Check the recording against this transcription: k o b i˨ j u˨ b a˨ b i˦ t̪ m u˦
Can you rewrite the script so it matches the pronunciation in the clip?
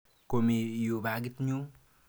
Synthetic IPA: k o m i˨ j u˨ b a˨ ɡ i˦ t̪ ɲ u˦